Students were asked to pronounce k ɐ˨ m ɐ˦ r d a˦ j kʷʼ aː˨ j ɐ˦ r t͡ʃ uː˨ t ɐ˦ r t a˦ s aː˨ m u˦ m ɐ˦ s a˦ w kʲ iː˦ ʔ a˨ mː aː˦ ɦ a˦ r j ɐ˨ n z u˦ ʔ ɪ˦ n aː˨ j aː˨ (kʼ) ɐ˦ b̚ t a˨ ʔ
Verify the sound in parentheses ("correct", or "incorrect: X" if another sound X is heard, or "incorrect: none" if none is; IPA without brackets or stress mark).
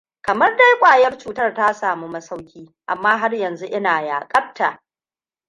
correct